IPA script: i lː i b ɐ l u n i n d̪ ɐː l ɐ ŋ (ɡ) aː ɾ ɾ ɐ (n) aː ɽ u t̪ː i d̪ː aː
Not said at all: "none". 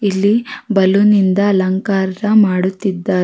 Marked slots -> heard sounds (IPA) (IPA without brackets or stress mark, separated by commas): k, m